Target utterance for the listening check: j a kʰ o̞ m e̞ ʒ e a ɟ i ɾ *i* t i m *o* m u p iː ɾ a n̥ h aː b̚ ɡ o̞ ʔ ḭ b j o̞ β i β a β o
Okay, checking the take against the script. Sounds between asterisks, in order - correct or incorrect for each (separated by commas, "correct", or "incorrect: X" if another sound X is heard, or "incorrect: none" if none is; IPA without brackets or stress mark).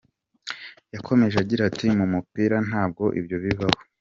incorrect: a, incorrect: u